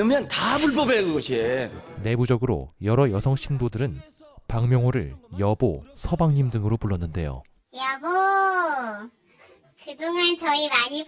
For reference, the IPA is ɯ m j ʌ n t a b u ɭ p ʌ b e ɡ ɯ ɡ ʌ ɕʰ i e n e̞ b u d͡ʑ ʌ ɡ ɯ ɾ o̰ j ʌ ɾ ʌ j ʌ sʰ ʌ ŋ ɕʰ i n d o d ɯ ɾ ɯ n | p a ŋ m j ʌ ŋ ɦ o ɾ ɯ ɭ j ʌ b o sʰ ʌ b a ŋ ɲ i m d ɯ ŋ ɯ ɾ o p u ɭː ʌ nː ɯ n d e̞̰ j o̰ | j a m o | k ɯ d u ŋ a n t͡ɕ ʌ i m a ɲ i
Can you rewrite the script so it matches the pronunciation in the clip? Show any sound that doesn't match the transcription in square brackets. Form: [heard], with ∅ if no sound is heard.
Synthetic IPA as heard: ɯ m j ʌ n t a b u ɭ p ʌ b e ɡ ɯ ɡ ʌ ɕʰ i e n e̞ b u d͡ʑ ʌ ɡ ɯ ɾ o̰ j ʌ ɾ ʌ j ʌ sʰ ʌ ŋ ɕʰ i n d o d ɯ ɾ ɯ n | p a ŋ m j ʌ ŋ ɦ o ɾ ɯ ɭ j ʌ b o sʰ ʌ b a ŋ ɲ i m d ɯ ŋ ɯ ɾ o p u ɭː ʌ nː ɯ n d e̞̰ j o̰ | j a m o | k ɯ d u ŋ a n t͡ɕ ʌ i m a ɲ i